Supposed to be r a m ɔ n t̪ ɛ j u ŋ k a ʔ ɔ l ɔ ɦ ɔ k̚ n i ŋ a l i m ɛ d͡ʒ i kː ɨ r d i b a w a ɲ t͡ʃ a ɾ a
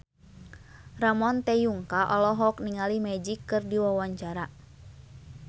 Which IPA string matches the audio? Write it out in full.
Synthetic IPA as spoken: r a m ɔ n t̪ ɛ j u ŋ k a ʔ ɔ l ɔ ɦ ɔ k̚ n i ŋ a l i m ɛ d͡ʒ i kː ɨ r d i w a w a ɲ t͡ʃ a ɾ a